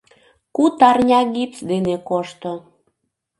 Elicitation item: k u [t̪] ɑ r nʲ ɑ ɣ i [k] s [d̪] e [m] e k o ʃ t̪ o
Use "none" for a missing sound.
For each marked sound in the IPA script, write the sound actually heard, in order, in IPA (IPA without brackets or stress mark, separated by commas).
t̪, p, d̪, n